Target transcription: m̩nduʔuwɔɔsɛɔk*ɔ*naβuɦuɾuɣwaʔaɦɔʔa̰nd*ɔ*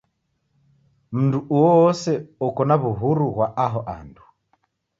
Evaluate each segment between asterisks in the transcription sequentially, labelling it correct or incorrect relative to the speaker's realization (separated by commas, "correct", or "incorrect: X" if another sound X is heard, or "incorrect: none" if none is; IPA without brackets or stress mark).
correct, incorrect: u